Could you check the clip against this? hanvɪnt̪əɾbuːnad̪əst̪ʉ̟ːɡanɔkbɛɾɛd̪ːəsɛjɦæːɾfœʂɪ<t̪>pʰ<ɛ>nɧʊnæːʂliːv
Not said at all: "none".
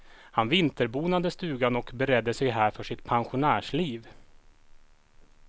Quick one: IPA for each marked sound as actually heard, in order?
t̪, a

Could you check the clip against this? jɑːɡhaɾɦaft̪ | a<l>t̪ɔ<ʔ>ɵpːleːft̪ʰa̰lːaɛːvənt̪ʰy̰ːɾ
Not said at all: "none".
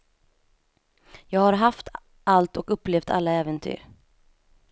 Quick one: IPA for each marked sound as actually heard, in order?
l, k

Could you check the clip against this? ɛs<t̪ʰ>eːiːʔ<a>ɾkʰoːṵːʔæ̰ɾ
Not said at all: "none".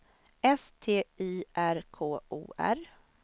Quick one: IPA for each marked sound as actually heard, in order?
t̪ʰ, æ

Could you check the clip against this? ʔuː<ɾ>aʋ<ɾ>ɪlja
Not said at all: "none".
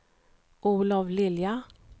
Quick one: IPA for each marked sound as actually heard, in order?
l, l

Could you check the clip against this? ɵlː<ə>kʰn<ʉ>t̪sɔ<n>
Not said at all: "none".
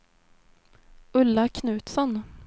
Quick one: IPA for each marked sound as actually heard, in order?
a, ʉː, n

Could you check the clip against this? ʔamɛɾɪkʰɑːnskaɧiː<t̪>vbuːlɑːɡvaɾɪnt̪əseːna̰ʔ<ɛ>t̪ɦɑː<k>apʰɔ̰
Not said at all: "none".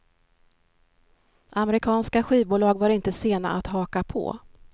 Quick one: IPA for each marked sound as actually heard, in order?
none, a, k

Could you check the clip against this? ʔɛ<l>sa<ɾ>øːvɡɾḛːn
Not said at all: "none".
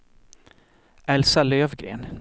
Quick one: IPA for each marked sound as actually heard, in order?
l, l

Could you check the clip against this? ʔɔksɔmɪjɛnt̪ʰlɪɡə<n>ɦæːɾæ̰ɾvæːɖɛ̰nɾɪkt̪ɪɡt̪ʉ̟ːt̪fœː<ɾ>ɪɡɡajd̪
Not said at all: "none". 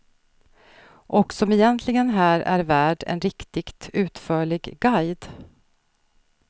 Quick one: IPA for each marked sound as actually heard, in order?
n, ɭ

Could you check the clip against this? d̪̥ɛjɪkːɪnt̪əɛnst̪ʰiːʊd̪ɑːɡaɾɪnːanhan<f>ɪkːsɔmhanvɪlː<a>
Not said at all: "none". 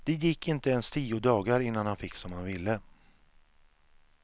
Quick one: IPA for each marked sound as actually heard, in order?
f, ə

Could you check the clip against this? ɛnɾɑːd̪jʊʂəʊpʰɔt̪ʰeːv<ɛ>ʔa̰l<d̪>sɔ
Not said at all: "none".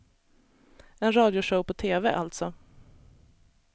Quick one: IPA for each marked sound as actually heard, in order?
ɛ, t̪

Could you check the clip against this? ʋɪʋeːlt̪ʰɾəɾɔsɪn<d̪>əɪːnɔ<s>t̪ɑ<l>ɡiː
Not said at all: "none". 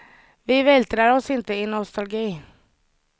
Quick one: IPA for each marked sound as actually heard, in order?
t̪, s, l

